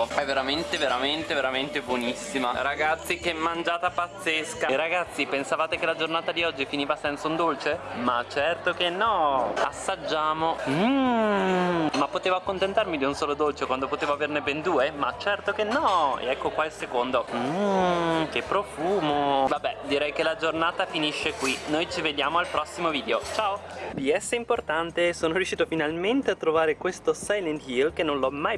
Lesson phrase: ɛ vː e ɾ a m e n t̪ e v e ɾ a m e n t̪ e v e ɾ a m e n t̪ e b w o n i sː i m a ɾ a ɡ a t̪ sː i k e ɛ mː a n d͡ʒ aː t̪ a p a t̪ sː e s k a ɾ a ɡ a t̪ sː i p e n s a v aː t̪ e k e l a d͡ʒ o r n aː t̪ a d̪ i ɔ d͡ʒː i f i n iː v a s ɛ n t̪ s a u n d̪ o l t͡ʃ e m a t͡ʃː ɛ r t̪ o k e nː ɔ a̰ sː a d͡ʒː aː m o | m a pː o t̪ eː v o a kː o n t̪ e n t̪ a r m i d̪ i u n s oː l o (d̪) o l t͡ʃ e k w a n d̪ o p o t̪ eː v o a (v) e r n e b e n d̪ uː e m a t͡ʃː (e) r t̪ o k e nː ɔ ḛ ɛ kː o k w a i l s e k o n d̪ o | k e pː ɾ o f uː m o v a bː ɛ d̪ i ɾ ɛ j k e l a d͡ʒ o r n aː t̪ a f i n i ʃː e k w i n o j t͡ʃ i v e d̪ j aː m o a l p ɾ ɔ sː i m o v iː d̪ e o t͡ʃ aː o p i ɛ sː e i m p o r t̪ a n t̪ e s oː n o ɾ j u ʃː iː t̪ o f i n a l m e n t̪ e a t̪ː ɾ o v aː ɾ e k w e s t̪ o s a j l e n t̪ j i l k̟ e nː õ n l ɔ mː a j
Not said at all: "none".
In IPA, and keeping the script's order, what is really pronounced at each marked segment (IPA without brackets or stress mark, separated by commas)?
d̪, v, ɛ